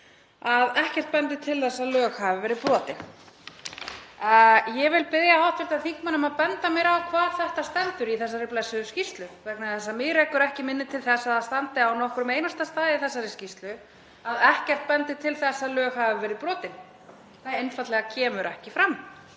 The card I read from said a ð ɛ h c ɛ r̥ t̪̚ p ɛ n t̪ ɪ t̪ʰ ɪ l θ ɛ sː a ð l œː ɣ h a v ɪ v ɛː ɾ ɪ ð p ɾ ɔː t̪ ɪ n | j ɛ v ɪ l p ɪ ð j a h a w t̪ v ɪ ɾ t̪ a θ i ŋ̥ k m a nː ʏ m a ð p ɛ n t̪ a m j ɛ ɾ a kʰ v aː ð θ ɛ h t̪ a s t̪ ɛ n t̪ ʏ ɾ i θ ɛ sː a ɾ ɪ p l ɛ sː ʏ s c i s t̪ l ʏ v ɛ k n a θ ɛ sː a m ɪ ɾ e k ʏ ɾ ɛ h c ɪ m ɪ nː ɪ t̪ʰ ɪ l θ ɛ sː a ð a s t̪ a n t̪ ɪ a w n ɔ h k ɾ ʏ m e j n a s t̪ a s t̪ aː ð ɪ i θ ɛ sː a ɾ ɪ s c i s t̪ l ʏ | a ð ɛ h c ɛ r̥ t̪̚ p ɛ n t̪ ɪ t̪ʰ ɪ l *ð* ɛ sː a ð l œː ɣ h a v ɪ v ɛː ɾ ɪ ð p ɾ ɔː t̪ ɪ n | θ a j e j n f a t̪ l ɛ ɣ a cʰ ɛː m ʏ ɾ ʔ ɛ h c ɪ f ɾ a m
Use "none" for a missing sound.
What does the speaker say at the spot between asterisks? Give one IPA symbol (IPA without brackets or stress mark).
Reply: θ